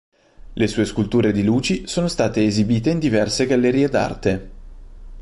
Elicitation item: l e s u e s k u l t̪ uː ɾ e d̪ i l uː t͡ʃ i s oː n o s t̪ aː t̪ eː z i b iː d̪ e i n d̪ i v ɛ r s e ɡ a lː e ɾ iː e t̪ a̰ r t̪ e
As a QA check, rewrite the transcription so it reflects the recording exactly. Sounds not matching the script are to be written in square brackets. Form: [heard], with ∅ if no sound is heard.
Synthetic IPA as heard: l e s [uː] e s k u l t̪ uː ɾ e d̪ i l uː t͡ʃ i s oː n o s t̪ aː t̪ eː z i b iː [t̪] e i n d̪ i v ɛ r s e ɡ a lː e ɾ iː e [d̪] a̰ r t̪ e